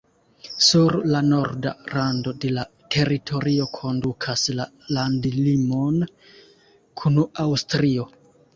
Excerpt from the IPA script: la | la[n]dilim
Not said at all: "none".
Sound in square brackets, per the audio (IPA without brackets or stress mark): n